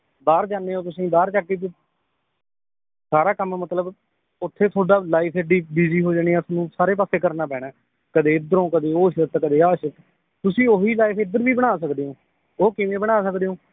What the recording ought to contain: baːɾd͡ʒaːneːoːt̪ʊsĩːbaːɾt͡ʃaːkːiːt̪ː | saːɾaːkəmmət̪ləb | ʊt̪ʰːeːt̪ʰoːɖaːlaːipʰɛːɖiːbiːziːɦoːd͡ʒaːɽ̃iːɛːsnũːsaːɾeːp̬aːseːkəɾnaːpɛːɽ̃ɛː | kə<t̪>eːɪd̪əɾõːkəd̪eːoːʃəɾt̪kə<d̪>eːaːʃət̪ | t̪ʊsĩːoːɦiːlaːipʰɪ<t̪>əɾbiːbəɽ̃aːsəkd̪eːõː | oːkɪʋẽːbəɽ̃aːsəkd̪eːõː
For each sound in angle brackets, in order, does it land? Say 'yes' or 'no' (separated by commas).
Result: no, yes, no